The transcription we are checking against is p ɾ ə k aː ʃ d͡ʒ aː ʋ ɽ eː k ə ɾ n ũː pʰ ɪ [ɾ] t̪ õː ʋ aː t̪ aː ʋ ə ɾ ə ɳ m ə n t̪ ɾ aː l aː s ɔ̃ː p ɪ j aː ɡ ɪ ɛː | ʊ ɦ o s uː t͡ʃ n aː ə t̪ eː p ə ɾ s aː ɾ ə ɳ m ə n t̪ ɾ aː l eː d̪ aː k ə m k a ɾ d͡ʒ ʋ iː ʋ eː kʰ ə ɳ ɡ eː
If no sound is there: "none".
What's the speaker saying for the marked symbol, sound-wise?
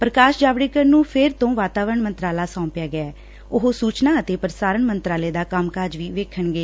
ɾ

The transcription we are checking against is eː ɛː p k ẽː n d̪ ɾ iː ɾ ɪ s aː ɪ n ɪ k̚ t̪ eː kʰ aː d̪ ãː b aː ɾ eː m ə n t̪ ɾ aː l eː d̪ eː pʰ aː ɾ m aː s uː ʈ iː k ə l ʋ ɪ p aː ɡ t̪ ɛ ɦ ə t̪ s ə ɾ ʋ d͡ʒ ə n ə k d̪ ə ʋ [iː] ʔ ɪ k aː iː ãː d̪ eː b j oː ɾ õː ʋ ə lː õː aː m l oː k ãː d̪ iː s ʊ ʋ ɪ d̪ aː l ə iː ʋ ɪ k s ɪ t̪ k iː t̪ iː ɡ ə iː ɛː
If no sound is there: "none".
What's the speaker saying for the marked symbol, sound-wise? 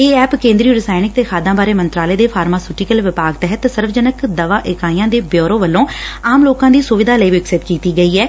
aː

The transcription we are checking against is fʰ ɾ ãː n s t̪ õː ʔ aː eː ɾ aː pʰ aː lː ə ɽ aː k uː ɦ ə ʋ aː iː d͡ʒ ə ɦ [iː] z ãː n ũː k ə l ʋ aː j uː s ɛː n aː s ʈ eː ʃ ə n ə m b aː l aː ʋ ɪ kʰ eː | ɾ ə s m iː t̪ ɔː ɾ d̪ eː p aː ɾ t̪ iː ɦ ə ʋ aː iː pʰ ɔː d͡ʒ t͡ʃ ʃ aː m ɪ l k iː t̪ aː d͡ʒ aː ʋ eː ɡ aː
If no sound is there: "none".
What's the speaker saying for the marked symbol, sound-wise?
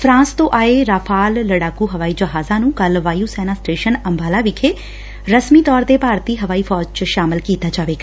aː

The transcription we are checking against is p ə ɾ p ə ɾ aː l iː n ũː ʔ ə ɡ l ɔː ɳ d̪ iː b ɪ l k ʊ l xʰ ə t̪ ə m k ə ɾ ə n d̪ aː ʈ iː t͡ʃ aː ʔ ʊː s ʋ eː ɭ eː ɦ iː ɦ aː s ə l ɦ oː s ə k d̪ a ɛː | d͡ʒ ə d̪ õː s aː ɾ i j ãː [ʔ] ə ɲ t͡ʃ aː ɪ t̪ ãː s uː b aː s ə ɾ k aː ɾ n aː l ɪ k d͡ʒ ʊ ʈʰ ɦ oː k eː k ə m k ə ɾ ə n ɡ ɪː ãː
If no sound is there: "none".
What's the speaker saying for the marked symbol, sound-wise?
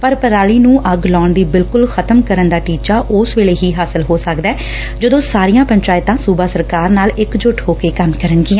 p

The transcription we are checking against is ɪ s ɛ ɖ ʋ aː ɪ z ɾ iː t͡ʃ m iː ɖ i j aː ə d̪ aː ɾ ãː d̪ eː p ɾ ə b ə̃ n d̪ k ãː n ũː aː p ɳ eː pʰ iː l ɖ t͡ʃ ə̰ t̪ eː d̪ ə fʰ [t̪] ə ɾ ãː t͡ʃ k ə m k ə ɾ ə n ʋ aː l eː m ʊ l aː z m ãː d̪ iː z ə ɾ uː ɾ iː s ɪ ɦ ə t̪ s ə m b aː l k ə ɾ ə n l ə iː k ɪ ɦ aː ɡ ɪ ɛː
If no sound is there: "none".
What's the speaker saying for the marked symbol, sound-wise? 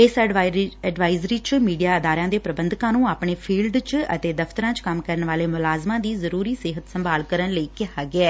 t̪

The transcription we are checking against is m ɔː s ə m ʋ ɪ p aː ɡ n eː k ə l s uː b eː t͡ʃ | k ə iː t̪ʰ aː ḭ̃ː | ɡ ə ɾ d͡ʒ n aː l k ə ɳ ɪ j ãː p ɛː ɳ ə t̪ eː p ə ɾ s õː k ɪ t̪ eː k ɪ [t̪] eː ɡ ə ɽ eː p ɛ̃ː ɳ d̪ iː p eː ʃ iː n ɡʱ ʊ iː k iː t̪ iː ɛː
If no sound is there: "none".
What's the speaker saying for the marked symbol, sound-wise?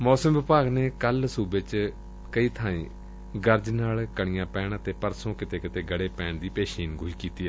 t̪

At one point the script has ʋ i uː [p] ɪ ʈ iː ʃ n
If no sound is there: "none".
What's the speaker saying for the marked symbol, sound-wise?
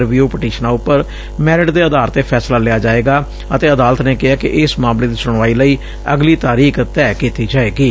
p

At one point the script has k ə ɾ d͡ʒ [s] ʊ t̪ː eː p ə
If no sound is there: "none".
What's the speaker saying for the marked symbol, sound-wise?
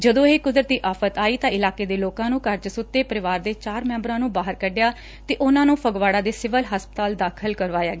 s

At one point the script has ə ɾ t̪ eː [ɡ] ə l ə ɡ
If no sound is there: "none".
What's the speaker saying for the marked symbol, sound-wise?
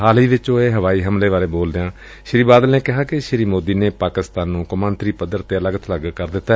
none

